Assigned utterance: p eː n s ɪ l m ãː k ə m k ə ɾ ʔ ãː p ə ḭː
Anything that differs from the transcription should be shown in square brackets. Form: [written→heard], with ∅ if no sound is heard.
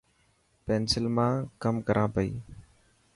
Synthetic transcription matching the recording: p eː n s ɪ l m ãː k ə m k ə ɾ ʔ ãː p ə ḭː